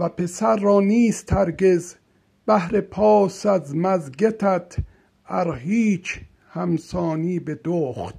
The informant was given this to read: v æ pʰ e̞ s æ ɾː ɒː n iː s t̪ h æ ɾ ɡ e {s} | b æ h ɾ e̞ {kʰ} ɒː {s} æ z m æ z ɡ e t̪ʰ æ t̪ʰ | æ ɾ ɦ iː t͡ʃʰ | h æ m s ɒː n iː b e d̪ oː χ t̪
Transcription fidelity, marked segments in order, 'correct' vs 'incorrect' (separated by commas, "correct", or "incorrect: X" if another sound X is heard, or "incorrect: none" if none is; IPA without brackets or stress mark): incorrect: z, incorrect: pʰ, correct